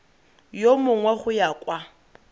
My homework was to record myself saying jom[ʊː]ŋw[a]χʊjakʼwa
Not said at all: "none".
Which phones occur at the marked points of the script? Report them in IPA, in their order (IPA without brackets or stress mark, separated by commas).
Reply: ʊ, ɛ